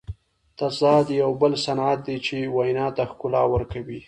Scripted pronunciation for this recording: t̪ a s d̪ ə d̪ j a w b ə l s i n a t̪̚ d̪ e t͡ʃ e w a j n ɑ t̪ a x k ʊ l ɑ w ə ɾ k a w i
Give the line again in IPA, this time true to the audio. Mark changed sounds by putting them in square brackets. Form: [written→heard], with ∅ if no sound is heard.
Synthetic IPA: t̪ a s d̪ [ə→ɑ] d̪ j a w b ə l s [i→a] n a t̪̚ d̪ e t͡ʃ e w a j n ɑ t̪ a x k ʊ l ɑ w ə ɾ k a w i